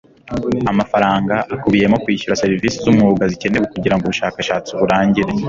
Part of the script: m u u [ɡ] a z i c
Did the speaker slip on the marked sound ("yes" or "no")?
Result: no